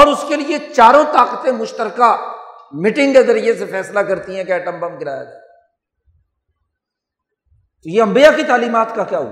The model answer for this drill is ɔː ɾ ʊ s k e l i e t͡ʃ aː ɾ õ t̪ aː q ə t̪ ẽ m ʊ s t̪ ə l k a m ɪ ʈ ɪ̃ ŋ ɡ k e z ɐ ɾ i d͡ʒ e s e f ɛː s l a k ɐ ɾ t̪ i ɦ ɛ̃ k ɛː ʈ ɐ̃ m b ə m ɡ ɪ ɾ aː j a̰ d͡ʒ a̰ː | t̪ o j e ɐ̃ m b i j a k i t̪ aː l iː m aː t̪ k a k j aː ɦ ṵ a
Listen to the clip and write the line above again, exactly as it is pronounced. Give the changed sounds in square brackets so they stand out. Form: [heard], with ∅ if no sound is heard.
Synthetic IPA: ɔː ɾ ʊ s k e l i e t͡ʃ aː ɾ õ t̪ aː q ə t̪ ẽ m ʊ [ʃ] t̪ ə [ɾ] k a m ɪ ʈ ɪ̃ ŋ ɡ k e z ɐ ɾ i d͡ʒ e s e f ɛː s l a k ɐ ɾ t̪ i ɦ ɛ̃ k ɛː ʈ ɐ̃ m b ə m ɡ ɪ ɾ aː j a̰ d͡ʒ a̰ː | t̪ o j e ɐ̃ m b i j a k i t̪ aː l iː m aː t̪ k a k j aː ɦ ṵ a